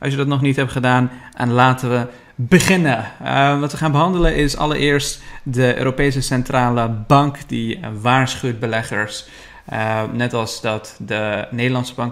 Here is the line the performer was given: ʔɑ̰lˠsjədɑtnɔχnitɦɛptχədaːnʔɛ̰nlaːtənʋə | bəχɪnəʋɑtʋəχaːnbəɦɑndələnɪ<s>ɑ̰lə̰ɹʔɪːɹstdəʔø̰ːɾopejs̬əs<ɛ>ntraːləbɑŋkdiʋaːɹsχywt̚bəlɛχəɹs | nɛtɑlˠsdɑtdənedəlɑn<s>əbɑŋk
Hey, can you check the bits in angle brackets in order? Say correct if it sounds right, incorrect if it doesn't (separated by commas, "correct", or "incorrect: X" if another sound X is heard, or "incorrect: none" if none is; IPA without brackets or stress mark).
correct, correct, correct